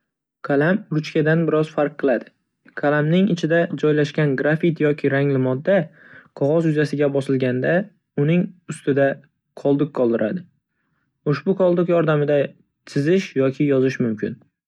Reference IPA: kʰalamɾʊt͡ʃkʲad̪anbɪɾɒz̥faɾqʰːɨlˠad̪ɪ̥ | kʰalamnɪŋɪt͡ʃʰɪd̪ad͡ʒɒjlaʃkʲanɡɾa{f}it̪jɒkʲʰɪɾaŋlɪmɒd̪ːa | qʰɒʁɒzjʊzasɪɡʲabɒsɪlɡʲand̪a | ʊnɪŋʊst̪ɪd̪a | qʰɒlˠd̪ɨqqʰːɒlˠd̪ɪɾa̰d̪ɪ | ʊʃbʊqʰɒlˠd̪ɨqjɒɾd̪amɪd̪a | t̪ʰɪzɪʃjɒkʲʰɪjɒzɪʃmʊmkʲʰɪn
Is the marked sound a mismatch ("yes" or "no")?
no